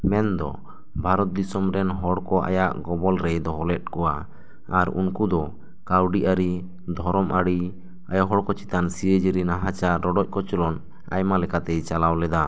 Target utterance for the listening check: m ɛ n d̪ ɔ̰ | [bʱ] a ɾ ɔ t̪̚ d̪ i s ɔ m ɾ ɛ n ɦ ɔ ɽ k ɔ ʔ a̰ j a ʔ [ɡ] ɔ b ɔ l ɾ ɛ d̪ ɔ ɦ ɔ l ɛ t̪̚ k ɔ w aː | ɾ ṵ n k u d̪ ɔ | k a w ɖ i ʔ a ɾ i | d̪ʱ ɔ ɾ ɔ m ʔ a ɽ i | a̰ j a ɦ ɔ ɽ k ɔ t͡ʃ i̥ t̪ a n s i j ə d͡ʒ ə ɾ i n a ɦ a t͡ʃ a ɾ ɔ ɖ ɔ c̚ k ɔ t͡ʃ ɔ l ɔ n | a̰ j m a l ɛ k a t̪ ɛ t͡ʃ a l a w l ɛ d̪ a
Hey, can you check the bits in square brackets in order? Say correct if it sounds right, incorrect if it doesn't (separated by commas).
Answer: correct, correct